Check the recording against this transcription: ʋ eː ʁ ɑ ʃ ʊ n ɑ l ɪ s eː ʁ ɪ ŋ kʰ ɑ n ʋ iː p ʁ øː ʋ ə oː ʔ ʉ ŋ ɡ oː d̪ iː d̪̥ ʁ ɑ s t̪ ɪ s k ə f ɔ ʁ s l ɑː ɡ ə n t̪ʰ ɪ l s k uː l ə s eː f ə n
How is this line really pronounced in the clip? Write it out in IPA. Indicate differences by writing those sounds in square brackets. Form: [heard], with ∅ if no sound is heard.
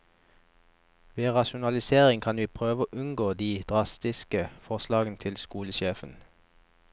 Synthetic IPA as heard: ʋ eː ʁ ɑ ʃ ʊ n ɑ l ɪ s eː ʁ ɪ ŋ kʰ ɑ n ʋ iː [pʰ] ʁ øː ʋ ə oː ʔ ʉ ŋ ɡ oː d̪ iː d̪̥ ʁ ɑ s t̪ ɪ s k ə f ɔ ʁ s l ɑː ɡ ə n t̪ʰ ɪ l s k uː l ə [ʃ] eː f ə n

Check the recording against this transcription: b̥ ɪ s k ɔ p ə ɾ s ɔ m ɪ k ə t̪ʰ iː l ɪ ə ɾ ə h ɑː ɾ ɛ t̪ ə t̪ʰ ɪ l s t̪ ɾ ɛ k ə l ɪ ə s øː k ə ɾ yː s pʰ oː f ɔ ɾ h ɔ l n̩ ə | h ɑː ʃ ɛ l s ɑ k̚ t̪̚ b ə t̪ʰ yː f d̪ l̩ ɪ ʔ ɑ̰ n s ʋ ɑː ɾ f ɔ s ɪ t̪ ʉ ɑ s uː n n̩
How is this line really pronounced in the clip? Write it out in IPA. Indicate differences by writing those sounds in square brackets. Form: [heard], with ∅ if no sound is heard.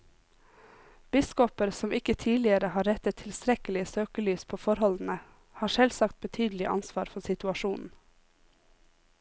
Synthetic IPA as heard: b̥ ɪ s k ɔ p ə ɾ s ɔ m ɪ k ə t̪ʰ iː l ɪ ə ɾ ə h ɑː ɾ ɛ t̪ ə t̪ʰ ɪ l s t̪ ɾ ɛ k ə l ɪ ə s øː k ə [l] yː s pʰ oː f ɔ ɾ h ɔ l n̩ ə | h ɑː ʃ ɛ l s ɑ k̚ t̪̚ b ə t̪ʰ yː [∅] d̪ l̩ ɪ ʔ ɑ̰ n s ʋ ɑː ɾ f ɔ s ɪ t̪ ʉ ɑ [ʃ] uː n n̩

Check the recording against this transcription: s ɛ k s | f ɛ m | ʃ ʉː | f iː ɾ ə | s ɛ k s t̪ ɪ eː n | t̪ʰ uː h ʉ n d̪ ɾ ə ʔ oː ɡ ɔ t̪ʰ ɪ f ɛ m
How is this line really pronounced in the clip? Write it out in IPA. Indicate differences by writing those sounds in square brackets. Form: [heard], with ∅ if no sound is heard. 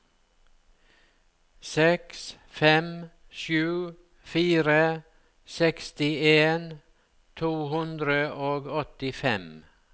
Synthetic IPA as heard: s ɛ k s | f ɛ m | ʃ ʉː | f iː ɾ ə | s ɛ k s t̪ ɪ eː n | t̪ʰ uː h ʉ n d̪ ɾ ə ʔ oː ɡ ɔ [t̪] ɪ f ɛ m

